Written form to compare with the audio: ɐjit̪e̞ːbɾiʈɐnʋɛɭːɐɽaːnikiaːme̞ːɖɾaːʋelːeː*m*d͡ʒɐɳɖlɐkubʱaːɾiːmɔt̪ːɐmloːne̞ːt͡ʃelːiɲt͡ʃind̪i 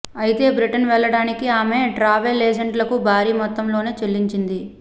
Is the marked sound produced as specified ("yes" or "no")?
no